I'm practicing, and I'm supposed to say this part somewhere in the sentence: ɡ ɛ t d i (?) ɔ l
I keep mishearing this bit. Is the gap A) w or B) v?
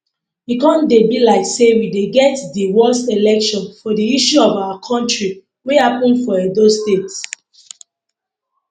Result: A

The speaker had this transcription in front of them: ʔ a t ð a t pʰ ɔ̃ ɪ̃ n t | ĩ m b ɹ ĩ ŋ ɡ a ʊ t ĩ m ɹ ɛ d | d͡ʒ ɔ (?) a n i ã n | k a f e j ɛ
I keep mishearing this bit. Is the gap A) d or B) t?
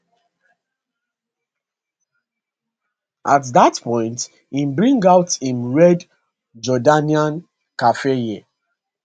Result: A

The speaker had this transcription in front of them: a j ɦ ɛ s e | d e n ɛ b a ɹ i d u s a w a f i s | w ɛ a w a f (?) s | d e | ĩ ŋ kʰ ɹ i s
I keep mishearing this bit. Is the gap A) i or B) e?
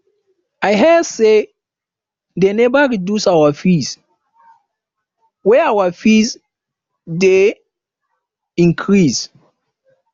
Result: A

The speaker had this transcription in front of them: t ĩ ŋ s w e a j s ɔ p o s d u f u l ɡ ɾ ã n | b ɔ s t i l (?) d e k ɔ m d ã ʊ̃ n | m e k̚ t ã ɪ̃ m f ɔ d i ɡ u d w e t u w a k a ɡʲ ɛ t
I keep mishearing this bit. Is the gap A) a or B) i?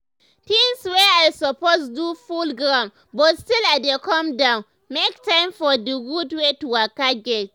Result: A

